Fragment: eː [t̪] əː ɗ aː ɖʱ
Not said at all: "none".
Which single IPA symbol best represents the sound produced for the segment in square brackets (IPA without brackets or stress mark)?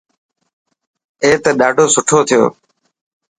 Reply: t̪